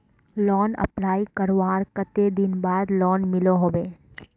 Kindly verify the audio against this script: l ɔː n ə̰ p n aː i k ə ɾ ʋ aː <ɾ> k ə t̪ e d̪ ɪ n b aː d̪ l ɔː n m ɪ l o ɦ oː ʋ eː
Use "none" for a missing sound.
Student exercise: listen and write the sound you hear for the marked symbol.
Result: ɾ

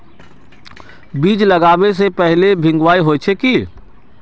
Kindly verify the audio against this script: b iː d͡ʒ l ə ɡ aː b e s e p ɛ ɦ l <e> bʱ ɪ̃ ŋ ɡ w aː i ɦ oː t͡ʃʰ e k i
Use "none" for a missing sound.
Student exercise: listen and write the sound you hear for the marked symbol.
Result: e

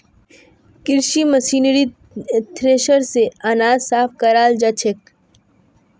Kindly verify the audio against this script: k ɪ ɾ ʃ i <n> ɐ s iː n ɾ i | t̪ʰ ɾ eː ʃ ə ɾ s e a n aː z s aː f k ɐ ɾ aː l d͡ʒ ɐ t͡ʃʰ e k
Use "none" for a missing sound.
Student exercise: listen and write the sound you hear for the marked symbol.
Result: m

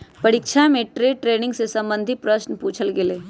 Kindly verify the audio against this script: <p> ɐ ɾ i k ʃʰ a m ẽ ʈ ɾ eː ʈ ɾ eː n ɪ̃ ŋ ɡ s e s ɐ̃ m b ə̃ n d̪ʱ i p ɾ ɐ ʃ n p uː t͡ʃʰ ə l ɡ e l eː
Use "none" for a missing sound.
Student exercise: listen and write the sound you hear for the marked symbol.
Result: p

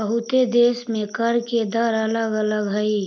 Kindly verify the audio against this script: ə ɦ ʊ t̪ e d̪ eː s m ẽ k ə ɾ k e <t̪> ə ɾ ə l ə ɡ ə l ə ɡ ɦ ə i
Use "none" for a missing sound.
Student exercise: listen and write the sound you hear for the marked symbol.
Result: d̪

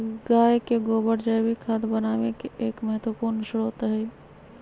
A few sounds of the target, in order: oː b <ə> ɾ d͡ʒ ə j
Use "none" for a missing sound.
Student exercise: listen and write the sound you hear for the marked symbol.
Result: ə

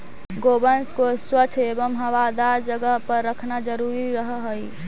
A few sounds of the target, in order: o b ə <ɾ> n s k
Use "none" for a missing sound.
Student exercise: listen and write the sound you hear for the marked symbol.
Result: none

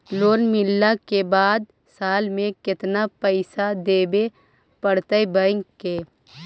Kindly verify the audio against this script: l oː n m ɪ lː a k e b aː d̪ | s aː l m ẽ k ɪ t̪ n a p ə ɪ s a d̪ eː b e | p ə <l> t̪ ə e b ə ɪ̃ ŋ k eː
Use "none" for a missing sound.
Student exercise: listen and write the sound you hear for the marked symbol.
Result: ɽ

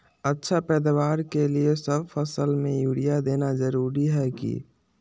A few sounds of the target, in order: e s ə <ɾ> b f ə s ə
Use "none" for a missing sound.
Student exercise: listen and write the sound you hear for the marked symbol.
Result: none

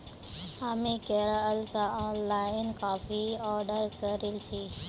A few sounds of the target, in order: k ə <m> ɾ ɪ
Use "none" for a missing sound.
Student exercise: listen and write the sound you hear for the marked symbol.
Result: none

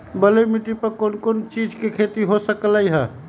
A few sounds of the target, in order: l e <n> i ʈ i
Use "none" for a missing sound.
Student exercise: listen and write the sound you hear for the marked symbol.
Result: m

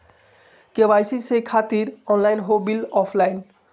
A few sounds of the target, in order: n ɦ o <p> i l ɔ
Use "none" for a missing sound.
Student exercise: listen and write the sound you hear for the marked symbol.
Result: b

